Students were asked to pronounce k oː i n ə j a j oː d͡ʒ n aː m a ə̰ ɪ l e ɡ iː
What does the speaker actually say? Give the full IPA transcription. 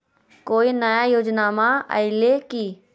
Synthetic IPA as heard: k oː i n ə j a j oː d͡ʒ n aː m a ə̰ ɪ l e k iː